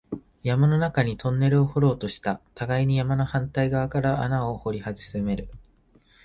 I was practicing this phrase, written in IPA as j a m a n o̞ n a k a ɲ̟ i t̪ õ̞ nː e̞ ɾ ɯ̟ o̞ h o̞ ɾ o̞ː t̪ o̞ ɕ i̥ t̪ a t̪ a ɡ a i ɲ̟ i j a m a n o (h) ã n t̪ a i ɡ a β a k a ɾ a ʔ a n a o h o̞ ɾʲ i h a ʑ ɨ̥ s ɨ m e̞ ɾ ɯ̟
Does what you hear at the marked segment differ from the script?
no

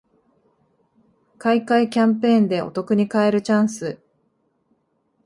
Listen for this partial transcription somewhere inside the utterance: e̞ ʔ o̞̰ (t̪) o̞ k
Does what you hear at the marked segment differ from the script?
no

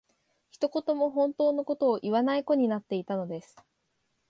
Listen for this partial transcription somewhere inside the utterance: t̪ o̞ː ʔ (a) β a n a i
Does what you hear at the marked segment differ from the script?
yes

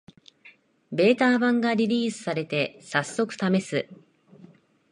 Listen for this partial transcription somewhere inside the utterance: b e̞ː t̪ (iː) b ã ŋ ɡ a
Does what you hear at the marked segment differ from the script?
yes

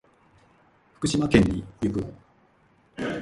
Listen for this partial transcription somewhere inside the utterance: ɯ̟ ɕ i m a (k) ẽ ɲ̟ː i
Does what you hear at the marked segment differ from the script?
no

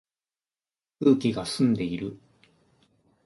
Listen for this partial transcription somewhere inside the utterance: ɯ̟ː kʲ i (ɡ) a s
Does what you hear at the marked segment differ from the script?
no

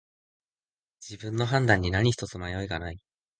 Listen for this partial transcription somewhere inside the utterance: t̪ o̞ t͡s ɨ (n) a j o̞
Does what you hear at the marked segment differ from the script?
yes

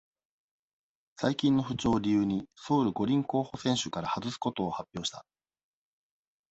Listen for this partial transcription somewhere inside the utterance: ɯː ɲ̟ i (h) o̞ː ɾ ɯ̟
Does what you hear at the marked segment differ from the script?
yes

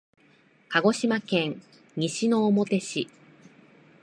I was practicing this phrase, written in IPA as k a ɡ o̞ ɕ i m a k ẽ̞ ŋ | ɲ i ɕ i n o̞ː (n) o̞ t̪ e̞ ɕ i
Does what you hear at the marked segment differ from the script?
yes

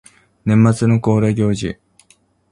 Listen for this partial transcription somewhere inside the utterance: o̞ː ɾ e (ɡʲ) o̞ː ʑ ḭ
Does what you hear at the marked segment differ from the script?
no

